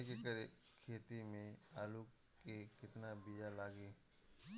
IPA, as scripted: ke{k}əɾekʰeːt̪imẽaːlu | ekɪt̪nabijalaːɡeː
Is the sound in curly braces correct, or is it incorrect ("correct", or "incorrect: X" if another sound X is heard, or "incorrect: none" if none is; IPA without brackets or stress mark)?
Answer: correct